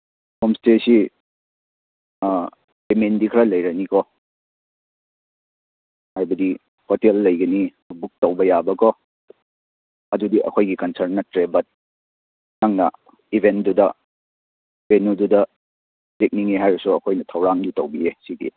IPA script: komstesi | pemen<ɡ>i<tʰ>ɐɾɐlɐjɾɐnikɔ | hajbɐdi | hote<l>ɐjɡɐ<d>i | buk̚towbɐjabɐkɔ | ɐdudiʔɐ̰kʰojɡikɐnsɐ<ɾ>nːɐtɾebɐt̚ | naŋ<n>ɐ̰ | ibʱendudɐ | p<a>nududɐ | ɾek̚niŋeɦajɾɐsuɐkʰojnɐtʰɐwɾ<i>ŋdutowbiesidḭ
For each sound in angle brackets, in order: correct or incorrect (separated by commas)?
incorrect, incorrect, incorrect, incorrect, correct, correct, incorrect, incorrect